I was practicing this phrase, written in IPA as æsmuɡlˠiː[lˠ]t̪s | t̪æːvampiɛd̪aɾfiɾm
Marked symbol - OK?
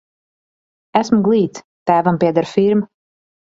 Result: no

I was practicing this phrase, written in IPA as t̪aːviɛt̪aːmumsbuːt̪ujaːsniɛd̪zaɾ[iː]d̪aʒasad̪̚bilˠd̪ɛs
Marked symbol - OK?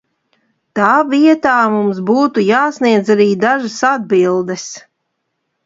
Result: yes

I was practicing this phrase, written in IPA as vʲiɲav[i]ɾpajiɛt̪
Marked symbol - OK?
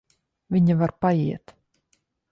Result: no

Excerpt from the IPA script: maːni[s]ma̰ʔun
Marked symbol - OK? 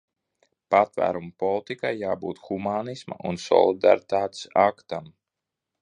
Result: yes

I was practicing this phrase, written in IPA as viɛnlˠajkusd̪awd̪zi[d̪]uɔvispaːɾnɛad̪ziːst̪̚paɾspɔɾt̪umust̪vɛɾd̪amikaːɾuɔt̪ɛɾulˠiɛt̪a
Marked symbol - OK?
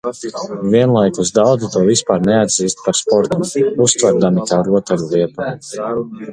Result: no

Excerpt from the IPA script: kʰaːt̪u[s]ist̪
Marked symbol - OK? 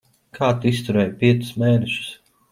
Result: no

